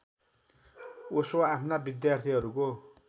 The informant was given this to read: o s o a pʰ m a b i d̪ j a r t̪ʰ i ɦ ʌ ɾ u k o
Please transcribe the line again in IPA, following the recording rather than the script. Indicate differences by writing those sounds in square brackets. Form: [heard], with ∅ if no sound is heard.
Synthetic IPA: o s o a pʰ [n] a b i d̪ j a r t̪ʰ i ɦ ʌ ɾ u k o